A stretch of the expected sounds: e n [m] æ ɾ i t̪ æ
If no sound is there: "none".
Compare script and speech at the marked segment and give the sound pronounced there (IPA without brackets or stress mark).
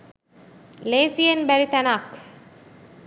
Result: b